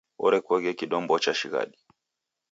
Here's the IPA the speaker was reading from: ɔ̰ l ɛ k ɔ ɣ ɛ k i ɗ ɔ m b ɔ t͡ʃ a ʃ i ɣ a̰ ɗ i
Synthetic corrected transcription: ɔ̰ ɾ ɛ k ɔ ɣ ɛ k i ɗ ɔ m b ɔ t͡ʃ a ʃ i ɣ a̰ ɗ i

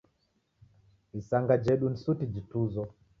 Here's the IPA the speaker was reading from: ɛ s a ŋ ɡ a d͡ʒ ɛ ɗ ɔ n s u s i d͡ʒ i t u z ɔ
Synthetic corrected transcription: i s a ŋ ɡ a d͡ʒ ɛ ɗ u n s u t i d͡ʒ i t u z ɔ

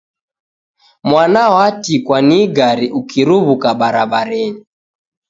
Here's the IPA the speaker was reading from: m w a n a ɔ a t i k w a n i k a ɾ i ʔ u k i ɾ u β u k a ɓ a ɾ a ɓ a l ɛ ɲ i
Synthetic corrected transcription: m w a n a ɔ a t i k w a n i ɡ a ɾ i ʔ u k i ɾ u β u k a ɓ a ɾ a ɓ a ɾ ɛ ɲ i

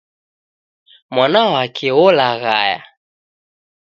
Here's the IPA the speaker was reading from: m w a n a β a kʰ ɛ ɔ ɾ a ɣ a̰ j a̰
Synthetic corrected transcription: m w a n a w a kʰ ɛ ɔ l a ɣ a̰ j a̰

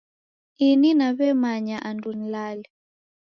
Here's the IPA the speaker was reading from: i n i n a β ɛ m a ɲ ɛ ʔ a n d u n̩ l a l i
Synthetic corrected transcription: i n i n a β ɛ m a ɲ a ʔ a n d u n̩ l a l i

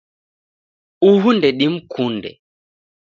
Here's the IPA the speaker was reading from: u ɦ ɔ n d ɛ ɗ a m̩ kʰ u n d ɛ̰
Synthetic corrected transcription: u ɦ u n d ɛ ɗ i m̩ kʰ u n d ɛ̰

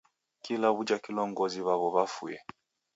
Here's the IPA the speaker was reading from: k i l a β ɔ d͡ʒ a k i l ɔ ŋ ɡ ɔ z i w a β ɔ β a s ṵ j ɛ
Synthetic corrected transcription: k i l a β u d͡ʒ a k i l ɔ ŋ ɡ ɔ z i β a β ɔ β a f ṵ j ɛ

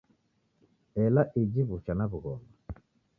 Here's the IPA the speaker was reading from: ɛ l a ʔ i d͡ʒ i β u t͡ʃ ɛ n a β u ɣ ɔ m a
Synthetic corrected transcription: ɛ l a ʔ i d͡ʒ i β u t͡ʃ a n a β u ɣ ɔ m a

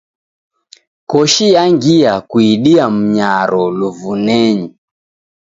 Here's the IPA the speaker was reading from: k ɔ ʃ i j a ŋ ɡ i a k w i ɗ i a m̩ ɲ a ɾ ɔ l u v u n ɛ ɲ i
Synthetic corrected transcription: k ɔ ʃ i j a ŋ ɡ i a k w i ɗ i a m̩ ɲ a ɾ ɔ l u v u n ɛ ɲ i

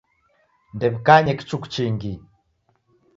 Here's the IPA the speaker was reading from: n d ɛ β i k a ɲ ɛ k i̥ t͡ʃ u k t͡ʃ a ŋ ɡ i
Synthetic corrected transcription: n d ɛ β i k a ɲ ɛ k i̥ t͡ʃ u k t͡ʃ i ŋ ɡ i

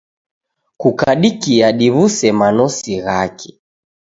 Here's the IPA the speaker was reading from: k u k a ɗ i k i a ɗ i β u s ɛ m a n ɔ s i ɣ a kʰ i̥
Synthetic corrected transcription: k u k a ɗ i k i a ɗ i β u s ɛ m a n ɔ s i ɣ a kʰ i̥

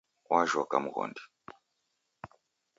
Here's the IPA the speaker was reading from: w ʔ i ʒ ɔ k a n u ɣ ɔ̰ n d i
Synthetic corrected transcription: w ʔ a ʒ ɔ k a m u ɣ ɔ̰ n d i

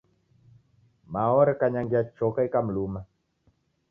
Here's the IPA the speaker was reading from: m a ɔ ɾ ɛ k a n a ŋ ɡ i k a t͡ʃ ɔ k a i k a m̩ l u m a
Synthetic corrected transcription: m a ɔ ɾ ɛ k a ɲ a ŋ ɡ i a t͡ʃ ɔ k a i k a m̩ l u m a

